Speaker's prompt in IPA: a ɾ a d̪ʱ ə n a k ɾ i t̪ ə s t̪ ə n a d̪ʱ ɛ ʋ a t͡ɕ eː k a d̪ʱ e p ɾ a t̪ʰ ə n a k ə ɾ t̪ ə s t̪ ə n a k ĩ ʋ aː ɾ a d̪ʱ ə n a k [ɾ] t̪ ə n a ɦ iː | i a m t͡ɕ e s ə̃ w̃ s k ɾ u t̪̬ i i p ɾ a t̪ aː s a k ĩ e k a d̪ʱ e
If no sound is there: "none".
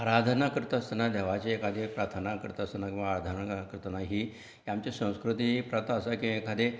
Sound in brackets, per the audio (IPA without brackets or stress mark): ɾ